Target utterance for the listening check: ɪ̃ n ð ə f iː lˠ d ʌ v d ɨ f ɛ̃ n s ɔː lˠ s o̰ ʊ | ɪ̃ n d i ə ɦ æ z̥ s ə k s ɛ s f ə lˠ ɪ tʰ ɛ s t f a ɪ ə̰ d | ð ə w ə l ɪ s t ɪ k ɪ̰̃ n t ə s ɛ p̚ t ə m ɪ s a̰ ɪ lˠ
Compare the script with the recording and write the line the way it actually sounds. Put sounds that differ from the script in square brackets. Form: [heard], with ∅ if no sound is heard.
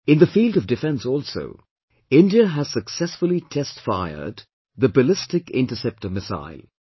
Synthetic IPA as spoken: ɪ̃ n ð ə f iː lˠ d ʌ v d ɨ f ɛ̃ n s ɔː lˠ s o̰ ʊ | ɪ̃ n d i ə ɦ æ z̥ s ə k s ɛ s f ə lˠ [i] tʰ ɛ s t f a ɪ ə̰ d | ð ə [b] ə l ɪ s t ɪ k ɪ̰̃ n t ə s ɛ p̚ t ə m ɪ s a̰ ɪ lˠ

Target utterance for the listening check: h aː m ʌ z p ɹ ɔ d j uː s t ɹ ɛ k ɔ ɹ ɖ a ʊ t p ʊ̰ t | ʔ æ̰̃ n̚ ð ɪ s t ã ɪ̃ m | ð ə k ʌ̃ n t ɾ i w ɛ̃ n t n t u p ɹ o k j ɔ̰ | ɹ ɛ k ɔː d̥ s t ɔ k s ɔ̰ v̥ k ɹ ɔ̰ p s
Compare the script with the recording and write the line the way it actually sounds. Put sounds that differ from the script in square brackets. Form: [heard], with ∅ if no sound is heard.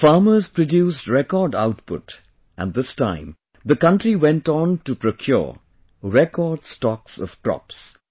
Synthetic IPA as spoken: [f] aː m [ə] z p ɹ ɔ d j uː s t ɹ ɛ k ɔ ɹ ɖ a ʊ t p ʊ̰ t | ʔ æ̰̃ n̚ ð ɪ s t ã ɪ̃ m | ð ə k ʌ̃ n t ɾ i w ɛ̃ n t n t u p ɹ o [kʰ] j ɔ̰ | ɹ ɛ k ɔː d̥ s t ɔ k s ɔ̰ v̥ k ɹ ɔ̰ p s

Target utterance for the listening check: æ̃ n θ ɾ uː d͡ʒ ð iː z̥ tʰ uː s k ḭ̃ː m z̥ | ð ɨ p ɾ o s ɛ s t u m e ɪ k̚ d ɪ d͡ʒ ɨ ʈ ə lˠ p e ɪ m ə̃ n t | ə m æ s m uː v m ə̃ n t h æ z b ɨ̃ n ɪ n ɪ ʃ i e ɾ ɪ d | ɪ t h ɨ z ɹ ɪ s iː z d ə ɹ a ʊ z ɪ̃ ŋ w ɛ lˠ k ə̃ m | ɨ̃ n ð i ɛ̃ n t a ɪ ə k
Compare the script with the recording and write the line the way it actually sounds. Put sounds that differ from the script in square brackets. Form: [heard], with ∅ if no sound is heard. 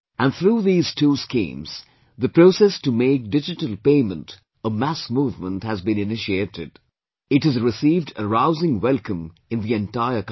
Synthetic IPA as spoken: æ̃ n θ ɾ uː [∅] ð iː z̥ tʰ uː s k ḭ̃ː m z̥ | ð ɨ p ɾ o s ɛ s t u m e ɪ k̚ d ɪ d͡ʒ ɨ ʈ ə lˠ p e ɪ m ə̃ n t | ə m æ s m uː v m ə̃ n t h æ z b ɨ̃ n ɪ n ɪ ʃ i e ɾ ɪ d | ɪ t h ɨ z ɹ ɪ s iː [v] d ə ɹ a ʊ z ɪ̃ ŋ w ɛ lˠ k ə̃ m | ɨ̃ n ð i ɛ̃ n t a ɪ ə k

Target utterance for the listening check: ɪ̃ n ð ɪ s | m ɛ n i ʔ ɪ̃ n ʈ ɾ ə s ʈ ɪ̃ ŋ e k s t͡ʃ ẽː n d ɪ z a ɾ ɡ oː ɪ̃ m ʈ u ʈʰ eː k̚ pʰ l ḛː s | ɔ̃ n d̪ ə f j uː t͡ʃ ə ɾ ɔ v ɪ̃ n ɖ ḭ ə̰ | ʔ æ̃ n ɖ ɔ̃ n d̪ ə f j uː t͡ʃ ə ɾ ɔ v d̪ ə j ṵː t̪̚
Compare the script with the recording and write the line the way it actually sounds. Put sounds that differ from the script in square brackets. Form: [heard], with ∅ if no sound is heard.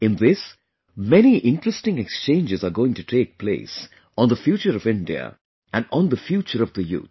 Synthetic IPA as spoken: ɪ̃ n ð ɪ s | m ɛ n i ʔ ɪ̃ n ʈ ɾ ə s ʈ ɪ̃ ŋ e k s t͡ʃ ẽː n [d͡ʒ] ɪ z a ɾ ɡ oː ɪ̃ [ŋ] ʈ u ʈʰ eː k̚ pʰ l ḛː s | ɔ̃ n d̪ ə f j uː t͡ʃ ə ɾ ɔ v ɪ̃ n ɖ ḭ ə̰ | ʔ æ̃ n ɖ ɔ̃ n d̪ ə f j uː t͡ʃ ə ɾ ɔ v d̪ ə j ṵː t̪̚

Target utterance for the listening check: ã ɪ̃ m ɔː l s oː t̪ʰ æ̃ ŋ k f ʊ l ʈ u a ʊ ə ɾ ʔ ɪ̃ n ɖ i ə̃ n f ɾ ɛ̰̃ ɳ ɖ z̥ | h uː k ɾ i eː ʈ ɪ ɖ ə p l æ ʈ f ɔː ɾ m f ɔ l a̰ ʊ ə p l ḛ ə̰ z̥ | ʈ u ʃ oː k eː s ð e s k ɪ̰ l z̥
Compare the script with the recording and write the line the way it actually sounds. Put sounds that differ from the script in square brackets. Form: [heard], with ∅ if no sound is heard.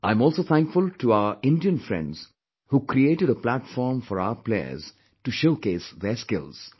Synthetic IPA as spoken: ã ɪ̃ m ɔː l s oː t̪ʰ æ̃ ŋ k f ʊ l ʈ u a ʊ ə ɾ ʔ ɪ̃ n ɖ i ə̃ n f ɾ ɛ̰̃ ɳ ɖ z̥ | h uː k ɾ i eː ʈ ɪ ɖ ə p l æ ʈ f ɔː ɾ m f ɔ [ɾ] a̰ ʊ ə p l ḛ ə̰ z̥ | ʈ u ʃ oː k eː s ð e s k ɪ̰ l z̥

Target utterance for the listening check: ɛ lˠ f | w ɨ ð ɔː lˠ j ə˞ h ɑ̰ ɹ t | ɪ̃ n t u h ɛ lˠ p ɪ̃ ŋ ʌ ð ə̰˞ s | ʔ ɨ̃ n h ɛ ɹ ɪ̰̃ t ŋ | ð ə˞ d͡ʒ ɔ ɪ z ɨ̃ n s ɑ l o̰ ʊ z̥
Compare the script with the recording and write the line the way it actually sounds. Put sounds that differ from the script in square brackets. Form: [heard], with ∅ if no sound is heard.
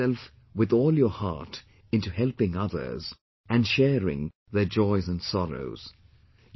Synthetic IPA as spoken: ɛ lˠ f | w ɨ ð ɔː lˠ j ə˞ h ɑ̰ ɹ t | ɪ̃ n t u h ɛ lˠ p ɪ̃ ŋ ʌ ð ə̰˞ [z] | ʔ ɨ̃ n [ʃ] ɛ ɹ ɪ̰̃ [∅] ŋ | ð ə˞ d͡ʒ ɔ ɪ z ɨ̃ n s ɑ [ɹ] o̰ ʊ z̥

